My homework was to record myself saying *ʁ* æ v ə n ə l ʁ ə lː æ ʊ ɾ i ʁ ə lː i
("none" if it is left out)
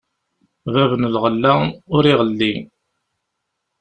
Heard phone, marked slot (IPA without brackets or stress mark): v